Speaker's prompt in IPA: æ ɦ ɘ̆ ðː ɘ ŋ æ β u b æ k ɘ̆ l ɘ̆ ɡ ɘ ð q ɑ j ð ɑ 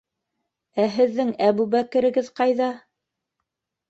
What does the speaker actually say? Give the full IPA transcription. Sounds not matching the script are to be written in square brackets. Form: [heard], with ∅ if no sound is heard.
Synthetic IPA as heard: æ ɦ ɘ̆ ðː ɘ ŋ æ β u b æ k ɘ̆ [ɾ] ɘ̆ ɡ ɘ ð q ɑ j ð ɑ